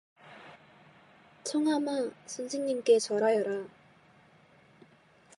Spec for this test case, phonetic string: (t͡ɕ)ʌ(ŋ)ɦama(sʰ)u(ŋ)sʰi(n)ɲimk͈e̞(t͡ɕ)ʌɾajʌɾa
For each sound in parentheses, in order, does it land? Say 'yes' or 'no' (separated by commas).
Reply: no, yes, yes, no, no, yes